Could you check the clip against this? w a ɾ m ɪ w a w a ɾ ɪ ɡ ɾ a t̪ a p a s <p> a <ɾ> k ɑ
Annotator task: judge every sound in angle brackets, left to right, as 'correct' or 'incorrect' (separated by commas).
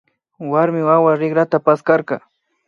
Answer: incorrect, correct